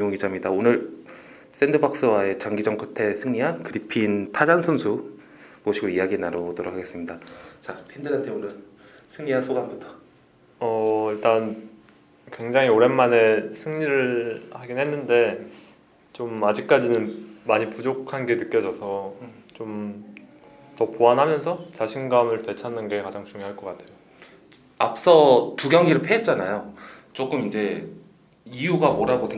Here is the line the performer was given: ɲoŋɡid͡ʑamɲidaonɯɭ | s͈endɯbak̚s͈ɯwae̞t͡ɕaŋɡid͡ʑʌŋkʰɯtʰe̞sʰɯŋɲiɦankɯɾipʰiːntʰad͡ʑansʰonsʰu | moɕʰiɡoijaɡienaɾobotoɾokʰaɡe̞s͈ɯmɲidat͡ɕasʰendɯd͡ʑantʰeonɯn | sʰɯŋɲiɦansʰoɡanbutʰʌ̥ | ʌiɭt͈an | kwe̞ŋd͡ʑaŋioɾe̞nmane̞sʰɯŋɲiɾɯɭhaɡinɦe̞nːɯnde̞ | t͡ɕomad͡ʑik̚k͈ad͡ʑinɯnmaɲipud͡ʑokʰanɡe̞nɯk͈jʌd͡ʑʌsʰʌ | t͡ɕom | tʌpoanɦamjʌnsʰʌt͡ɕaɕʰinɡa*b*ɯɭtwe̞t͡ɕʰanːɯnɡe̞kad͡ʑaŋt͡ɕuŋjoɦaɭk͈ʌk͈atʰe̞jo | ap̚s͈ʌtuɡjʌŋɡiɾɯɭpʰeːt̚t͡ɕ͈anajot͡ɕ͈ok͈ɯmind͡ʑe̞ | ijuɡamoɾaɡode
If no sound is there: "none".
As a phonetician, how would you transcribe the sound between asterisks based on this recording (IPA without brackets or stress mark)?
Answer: m